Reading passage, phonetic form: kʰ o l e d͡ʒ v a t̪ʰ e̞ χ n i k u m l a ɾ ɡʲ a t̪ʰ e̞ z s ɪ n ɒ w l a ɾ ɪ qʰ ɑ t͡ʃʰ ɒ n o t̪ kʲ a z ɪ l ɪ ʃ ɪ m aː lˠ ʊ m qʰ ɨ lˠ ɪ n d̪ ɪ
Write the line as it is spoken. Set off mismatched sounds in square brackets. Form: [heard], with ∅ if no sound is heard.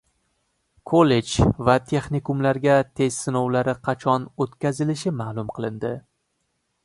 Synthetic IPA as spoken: kʰ o l e d͡ʒ v a t̪ʰ e̞ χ n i k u m l a ɾ ɡʲ a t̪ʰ e̞ z s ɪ n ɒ w l a ɾ ɪ qʰ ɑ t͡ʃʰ ɒ n o t̪ kʲ a z ɪ l ɪ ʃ ɪ m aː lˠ ʊ m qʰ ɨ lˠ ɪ n d̪ ɪ